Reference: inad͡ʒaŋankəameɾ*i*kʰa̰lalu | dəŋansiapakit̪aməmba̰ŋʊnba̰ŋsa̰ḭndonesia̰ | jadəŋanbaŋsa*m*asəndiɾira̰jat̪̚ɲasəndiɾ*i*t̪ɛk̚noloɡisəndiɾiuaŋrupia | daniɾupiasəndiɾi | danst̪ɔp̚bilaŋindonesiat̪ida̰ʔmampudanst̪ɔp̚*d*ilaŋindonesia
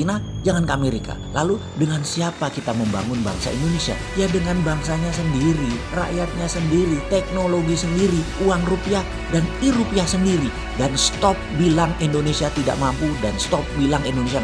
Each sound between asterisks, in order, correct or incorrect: correct, incorrect: ɲ, correct, incorrect: b

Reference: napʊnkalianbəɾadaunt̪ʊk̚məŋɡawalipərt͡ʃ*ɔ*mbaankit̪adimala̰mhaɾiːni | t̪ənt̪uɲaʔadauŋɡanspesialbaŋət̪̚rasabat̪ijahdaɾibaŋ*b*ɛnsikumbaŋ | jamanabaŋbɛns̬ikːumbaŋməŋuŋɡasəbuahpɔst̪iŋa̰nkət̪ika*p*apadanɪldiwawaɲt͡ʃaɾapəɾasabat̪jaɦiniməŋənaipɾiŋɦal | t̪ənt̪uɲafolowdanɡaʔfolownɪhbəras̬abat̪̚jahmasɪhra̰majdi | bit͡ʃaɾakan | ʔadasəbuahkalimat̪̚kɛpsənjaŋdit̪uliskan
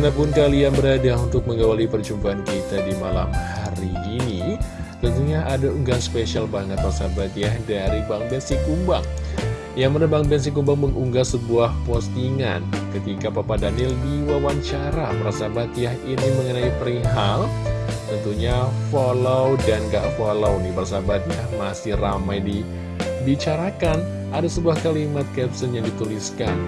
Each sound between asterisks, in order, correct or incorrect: incorrect: u, correct, correct

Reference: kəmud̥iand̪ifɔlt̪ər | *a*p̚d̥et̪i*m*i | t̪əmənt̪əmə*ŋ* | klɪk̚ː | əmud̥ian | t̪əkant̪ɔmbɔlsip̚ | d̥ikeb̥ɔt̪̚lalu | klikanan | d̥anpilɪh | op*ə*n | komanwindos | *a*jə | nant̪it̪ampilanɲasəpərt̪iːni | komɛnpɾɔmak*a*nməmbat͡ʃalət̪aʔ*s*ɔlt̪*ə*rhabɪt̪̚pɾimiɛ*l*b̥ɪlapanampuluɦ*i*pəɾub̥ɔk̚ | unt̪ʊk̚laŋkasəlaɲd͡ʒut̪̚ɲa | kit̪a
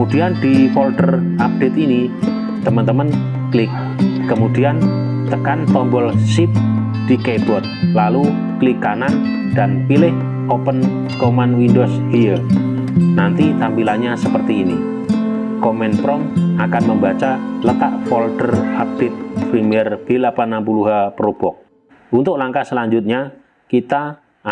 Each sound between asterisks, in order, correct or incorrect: correct, incorrect: n, incorrect: n, correct, incorrect: i, correct, incorrect: f, correct, incorrect: r, incorrect: a

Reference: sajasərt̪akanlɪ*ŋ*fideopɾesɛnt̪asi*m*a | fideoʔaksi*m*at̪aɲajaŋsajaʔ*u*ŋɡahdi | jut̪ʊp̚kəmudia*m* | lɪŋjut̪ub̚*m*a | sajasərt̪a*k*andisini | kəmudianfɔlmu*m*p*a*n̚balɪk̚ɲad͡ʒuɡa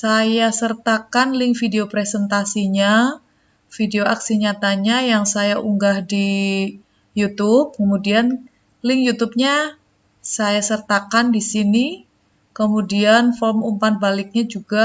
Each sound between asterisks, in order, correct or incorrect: correct, incorrect: ɲ, incorrect: ɲ, correct, incorrect: n, incorrect: ɲ, correct, correct, correct

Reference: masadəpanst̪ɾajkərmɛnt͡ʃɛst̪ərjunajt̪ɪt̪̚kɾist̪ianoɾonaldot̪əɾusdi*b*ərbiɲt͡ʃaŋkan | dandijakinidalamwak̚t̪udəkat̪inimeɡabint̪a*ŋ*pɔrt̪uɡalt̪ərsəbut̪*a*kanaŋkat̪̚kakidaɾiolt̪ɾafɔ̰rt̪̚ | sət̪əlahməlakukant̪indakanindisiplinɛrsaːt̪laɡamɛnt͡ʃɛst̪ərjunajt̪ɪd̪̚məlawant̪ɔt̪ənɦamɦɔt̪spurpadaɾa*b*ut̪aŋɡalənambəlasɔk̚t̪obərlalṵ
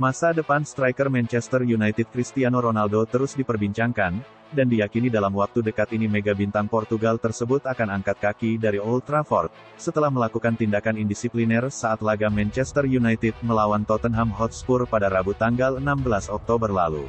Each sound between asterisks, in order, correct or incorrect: incorrect: p, correct, correct, correct

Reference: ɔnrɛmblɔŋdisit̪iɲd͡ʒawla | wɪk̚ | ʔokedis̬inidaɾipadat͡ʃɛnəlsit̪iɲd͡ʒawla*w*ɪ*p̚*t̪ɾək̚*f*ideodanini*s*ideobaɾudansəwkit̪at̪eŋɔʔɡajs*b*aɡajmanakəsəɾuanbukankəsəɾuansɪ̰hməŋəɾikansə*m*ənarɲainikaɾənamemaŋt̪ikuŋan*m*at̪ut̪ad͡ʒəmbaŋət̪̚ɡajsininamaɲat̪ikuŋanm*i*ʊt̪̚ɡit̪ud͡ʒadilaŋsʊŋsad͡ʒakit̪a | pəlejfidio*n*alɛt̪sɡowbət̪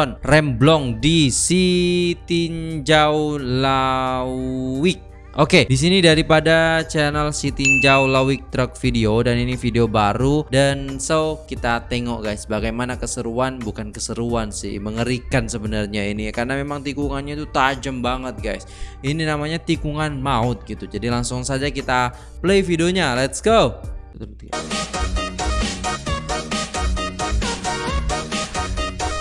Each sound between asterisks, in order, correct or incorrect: correct, incorrect: k̚, correct, incorrect: f, correct, incorrect: b, incorrect: ɲ, incorrect: a, incorrect: ɲ

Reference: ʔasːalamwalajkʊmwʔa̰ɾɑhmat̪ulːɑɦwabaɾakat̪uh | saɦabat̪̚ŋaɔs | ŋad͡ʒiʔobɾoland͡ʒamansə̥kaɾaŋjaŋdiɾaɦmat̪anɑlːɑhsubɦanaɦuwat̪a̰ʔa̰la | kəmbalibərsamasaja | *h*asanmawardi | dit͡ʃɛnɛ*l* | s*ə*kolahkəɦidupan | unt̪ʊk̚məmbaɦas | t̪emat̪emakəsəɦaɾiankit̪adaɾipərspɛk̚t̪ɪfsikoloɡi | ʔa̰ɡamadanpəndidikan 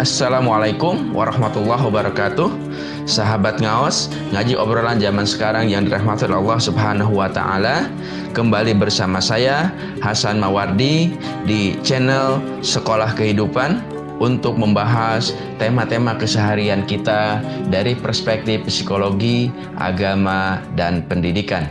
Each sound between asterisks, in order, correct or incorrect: correct, correct, correct

